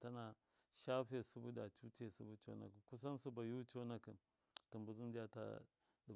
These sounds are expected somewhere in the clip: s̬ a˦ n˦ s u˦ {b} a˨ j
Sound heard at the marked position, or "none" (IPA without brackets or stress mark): b